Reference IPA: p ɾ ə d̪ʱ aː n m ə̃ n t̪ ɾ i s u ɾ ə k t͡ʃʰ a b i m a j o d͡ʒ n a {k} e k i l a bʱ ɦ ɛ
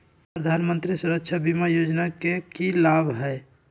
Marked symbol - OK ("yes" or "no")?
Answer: yes